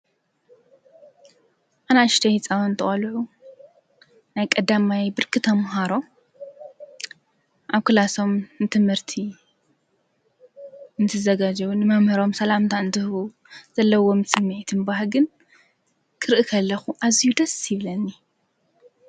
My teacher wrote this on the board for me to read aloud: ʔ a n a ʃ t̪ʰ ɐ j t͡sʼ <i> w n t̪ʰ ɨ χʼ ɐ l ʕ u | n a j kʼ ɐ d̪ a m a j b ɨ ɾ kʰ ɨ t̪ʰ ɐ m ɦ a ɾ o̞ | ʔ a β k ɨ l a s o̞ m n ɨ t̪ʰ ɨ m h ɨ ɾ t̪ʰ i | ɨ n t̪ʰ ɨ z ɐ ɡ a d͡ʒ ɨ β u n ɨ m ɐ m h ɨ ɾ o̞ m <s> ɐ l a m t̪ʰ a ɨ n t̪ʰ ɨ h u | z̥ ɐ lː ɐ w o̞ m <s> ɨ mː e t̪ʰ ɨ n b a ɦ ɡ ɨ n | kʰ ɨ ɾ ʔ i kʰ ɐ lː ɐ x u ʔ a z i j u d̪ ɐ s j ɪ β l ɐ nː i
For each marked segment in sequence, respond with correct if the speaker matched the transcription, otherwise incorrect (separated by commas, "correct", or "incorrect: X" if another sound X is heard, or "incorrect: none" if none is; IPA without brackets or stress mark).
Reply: incorrect: a, correct, correct